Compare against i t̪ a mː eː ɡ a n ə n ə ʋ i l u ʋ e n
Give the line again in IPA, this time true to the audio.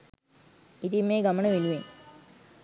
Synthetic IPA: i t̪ i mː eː ɡ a m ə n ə ʋ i l u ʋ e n